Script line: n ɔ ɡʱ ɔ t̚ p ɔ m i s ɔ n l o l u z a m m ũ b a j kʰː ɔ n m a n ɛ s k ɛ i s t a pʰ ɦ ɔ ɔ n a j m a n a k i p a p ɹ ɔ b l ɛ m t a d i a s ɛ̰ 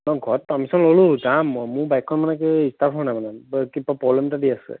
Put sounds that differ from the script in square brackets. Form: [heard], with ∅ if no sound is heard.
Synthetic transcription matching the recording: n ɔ ɡʱ ɔ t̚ p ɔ m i s ɔ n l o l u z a m m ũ b a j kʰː ɔ n m a n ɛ [∅] k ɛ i s t a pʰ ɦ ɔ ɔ n a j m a n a k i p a p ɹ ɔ b l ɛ m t a d i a s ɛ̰